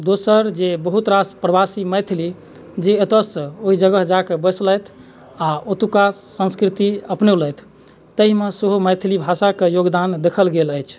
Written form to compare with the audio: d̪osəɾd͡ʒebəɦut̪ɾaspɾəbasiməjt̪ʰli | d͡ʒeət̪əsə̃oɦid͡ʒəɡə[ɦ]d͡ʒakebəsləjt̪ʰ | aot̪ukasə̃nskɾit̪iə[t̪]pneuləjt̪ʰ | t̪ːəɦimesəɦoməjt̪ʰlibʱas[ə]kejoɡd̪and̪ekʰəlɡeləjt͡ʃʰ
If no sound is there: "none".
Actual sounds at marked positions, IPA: ɦ, none, a

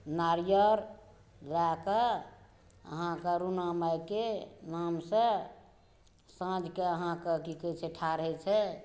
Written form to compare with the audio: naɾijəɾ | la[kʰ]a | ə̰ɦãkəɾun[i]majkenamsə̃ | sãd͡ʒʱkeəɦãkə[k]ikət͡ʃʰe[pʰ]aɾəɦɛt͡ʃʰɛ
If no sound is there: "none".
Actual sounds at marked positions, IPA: k, a, k, ʈʰ

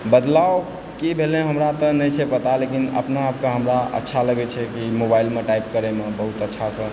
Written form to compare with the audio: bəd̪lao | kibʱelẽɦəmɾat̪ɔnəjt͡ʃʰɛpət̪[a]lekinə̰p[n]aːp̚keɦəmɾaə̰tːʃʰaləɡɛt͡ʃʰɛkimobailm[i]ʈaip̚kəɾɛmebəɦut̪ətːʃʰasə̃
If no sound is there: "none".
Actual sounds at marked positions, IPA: a, n, e

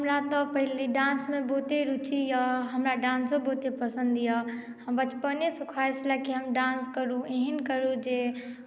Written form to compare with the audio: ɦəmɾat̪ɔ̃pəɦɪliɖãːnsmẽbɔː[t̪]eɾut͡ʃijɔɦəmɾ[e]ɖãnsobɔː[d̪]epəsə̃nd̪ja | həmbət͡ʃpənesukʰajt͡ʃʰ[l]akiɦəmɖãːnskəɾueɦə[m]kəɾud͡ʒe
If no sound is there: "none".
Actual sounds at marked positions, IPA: t̪, a, t̪, l, n

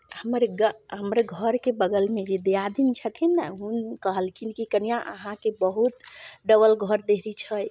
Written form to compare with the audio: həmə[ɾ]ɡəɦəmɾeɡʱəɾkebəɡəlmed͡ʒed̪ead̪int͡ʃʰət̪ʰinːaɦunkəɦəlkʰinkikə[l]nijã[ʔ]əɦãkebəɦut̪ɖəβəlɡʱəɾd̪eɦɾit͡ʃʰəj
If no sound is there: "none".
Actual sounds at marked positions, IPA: ɾ, none, ʔ

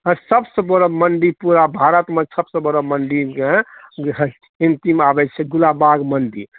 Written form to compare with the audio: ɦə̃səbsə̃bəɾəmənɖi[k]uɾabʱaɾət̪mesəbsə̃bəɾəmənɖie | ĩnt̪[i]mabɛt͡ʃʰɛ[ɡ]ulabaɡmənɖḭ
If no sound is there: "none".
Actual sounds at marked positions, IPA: p, i, ɡ

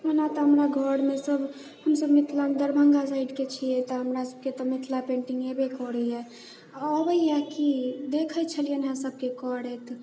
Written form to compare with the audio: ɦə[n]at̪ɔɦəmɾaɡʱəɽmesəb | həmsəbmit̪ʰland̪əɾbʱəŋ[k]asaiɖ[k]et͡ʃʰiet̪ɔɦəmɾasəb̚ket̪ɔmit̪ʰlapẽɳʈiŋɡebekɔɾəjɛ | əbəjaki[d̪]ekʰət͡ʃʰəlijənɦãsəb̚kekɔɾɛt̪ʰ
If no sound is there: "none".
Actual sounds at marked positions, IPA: n, ɡ, k, d̪

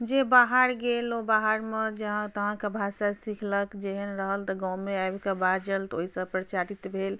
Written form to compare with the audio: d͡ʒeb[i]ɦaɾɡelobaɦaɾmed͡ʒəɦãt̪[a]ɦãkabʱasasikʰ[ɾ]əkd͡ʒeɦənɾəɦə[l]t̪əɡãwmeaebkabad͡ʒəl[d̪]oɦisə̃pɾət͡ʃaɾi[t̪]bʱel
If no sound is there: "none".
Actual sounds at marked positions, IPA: a, ə, l, l, t̪, t̪

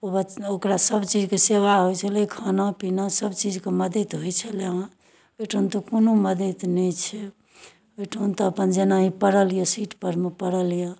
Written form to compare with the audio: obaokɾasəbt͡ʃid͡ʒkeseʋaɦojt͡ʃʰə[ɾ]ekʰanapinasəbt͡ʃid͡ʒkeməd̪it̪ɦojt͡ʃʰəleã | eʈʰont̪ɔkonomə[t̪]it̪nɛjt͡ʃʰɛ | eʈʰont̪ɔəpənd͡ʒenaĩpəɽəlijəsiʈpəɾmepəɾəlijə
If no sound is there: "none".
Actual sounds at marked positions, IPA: l, d̪

